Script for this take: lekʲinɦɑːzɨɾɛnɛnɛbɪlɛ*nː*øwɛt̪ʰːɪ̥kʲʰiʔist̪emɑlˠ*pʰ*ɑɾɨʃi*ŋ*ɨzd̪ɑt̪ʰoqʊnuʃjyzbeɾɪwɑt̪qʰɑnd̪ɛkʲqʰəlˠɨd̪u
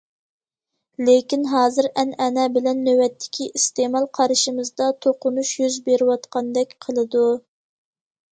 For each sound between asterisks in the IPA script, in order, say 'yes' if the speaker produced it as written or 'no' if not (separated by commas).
yes, no, no